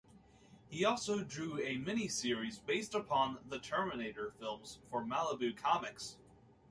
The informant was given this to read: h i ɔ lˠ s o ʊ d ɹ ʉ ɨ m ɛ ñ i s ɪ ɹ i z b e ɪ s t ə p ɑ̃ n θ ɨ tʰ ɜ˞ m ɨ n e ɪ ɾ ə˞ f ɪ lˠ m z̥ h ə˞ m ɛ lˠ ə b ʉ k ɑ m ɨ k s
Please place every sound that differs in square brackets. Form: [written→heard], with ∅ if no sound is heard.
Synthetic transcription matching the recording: h i ɔ lˠ s o ʊ d ɹ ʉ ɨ m ɛ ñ i s ɪ ɹ i z b e ɪ s t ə [p→pʰ] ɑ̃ n [θ→ð] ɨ tʰ ɜ˞ m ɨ n e ɪ ɾ ə˞ f ɪ lˠ m z̥ [h→f] ə˞ m [ɛ→æ] lˠ ə b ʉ [k→kʰ] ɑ m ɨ k s

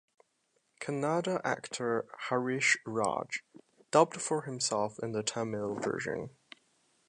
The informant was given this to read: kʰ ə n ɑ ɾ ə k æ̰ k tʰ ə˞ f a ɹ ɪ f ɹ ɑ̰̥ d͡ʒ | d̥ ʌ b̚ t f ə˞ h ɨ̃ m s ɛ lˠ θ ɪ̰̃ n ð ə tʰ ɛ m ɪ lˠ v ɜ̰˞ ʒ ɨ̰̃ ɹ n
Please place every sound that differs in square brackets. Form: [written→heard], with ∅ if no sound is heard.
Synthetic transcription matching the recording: kʰ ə n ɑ ɾ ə [k→ʔ] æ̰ k tʰ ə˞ [f→h] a ɹ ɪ [f→ʃ] ɹ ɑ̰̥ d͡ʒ | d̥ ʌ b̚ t f ə˞ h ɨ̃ m s ɛ lˠ [θ→f] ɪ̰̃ n ð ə tʰ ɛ m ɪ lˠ v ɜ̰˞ ʒ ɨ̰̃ [ɹ→∅] n

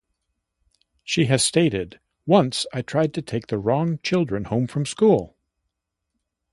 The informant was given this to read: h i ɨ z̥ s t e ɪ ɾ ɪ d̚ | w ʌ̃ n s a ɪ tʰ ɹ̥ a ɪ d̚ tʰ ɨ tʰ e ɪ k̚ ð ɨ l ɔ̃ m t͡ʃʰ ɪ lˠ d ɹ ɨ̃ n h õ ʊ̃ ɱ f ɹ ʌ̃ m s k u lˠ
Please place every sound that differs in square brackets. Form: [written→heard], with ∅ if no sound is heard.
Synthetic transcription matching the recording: [h→ʃ] i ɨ z̥ s t e ɪ ɾ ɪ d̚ | w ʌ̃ n s a ɪ tʰ ɹ̥ a ɪ d̚ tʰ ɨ tʰ e ɪ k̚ ð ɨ [l→ɹ] ɔ̃ [m→ŋ] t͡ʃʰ ɪ lˠ d ɹ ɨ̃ n h õ ʊ̃ ɱ f ɹ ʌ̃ m s k u lˠ

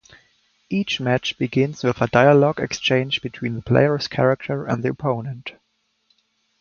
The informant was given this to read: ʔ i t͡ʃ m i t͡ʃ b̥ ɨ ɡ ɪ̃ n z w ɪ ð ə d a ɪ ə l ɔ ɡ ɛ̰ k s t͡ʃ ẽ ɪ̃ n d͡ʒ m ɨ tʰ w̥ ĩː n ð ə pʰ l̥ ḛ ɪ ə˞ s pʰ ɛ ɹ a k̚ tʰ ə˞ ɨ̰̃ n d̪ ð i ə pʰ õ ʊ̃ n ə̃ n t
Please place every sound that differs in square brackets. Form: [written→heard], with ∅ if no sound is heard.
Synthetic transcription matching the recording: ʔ i t͡ʃ m [i→æ] t͡ʃ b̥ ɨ ɡ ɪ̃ n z w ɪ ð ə d a ɪ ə l ɔ ɡ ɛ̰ k s t͡ʃ ẽ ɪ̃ n d͡ʒ [m→b] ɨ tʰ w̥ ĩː n ð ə pʰ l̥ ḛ ɪ ə˞ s [pʰ→kʰ] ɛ ɹ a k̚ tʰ ə˞ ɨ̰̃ n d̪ ð i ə pʰ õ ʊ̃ n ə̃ n t

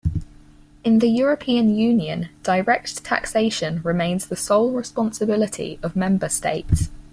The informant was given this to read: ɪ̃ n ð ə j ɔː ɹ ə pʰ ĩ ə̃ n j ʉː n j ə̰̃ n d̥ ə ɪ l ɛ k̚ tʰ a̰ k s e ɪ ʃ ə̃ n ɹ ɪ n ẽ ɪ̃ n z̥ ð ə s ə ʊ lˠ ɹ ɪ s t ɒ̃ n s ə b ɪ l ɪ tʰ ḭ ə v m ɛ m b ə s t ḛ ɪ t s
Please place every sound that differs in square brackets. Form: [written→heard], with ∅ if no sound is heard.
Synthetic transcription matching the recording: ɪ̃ n ð ə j ɔː ɹ ə pʰ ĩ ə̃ n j ʉː n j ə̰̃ n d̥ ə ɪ [l→ɹ] ɛ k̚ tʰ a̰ k s e ɪ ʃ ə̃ n ɹ ɪ [n→m] ẽ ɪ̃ n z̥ ð ə s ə ʊ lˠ ɹ ɪ s [t→p] ɒ̃ n s ə b ɪ l ɪ tʰ ḭ ə v m [ɛ→ɛ̃] m b ə s t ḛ ɪ t s

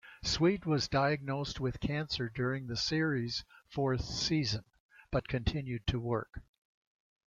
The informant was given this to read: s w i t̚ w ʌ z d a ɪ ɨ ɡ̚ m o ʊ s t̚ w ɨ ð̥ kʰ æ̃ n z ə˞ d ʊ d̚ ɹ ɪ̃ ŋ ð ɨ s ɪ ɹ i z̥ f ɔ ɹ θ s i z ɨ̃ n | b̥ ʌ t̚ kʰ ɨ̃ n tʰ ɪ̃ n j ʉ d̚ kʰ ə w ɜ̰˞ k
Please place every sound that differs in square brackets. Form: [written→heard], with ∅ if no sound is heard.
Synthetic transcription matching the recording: s w i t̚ w ʌ z d a ɪ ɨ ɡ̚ [m→n] o ʊ s t̚ w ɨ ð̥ kʰ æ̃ n [z→s] ə˞ d ʊ [d̚→∅] ɹ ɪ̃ ŋ ð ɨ s ɪ ɹ i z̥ f ɔ ɹ θ s i z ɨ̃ n | b̥ ʌ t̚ kʰ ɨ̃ n tʰ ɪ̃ n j ʉ d̚ [kʰ→tʰ] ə w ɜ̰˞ k

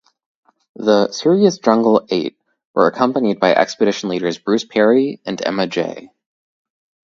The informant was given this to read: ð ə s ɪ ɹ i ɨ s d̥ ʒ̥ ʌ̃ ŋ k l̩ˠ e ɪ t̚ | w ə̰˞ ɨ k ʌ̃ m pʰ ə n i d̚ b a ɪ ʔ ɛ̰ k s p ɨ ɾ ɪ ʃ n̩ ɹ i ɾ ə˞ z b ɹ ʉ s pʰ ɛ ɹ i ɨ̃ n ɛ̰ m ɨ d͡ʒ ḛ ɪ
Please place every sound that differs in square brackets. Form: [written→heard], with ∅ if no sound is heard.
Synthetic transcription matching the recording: ð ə s ɪ ɹ i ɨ s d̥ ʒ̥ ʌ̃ ŋ [k→ɡ] l̩ˠ e ɪ t̚ | w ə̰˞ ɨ [k→kʰ] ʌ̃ m [pʰ→p] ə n i d̚ b a ɪ ʔ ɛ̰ k s p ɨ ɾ ɪ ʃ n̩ [ɹ→l] i ɾ ə˞ z b ɹ ʉ s pʰ ɛ ɹ i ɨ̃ n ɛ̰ m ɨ d͡ʒ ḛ ɪ

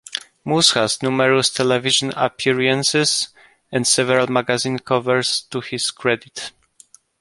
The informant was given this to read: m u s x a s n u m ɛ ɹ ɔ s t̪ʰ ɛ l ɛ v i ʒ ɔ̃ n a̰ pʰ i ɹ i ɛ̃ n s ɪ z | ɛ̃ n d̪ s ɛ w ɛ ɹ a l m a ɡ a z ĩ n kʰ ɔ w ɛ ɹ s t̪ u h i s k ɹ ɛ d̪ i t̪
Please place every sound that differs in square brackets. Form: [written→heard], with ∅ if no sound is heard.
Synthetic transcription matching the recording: m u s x a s n u m ɛ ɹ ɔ s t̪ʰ ɛ l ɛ v i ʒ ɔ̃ n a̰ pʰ i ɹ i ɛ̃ n s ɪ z | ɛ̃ n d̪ s ɛ [w→v] ɛ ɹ a l m a ɡ a z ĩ n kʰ ɔ [w→v] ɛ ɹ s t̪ u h i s k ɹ ɛ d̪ i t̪

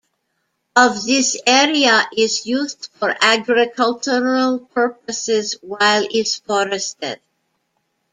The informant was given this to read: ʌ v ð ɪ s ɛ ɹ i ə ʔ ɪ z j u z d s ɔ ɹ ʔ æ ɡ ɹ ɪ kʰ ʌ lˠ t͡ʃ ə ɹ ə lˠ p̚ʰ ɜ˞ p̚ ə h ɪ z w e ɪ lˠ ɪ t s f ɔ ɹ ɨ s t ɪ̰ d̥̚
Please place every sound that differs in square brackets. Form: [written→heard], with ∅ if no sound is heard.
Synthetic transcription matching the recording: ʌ v ð ɪ s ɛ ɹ i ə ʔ ɪ z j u z d [s→f] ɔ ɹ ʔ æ ɡ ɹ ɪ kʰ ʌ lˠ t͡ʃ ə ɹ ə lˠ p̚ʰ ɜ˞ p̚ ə [h→s] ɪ z w [e→a] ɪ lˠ ɪ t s f ɔ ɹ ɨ s t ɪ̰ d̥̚

